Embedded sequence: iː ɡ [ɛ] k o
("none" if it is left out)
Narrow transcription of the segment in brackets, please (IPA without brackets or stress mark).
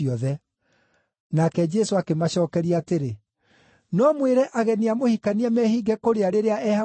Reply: ɛ